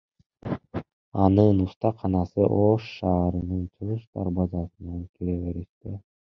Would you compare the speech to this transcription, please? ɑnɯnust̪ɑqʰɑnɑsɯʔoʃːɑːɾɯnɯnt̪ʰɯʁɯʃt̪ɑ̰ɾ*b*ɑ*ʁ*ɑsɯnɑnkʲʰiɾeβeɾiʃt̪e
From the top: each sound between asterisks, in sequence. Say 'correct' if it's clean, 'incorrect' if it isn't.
correct, incorrect: z

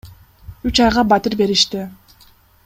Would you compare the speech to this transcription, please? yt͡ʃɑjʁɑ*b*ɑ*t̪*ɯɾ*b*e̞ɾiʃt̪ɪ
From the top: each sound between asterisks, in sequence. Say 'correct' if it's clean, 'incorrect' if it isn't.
correct, correct, correct

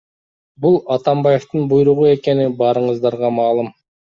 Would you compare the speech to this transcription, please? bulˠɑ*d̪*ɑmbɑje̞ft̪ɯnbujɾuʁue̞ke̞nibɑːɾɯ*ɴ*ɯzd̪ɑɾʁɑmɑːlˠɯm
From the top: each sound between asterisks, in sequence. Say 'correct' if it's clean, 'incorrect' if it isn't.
incorrect: t̪, correct

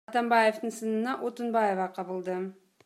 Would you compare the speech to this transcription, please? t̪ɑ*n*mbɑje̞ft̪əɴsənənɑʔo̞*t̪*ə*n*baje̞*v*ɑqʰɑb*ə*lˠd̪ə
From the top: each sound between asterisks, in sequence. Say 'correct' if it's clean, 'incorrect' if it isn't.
incorrect: none, correct, correct, correct, correct

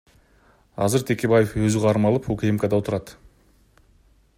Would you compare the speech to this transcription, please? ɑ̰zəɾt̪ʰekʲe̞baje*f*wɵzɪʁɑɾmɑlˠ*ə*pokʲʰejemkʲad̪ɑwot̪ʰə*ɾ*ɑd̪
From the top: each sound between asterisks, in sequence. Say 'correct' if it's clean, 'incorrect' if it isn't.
correct, correct, correct

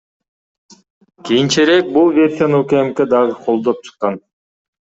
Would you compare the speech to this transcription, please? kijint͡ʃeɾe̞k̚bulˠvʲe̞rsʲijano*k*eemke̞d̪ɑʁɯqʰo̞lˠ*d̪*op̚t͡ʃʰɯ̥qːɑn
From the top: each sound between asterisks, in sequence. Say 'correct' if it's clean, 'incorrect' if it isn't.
correct, correct

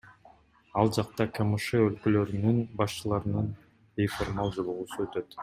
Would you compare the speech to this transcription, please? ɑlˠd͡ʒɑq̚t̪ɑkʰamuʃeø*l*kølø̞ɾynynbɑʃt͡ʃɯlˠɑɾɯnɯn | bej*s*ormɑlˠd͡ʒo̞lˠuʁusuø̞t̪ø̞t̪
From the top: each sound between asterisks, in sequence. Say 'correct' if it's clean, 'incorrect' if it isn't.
correct, incorrect: f

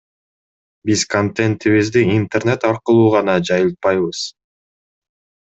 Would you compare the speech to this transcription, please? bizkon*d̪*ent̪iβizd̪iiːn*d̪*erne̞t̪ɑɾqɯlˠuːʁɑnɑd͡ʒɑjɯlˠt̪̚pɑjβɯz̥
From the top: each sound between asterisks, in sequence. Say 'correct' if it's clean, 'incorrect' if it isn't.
incorrect: t̪, incorrect: t̪

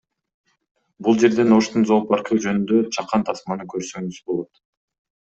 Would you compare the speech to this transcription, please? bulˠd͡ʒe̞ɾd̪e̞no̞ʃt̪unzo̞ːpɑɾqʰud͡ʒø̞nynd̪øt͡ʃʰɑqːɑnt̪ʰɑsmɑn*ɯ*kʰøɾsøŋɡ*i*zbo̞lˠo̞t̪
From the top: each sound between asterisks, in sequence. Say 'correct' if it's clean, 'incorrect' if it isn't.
correct, incorrect: y

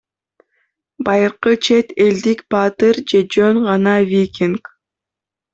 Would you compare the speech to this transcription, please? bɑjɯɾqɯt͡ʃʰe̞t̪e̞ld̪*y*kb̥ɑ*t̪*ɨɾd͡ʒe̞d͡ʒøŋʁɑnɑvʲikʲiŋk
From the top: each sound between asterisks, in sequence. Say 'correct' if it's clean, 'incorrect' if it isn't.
incorrect: i, correct

